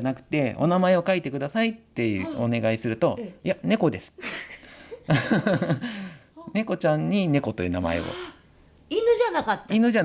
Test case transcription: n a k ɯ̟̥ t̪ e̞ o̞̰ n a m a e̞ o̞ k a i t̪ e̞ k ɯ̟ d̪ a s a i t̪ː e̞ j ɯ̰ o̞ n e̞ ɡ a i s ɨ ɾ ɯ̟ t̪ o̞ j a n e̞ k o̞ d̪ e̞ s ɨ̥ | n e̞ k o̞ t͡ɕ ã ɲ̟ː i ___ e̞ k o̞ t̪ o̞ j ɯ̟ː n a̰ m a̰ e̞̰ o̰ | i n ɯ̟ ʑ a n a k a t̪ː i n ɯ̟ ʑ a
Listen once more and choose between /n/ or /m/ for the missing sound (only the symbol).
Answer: n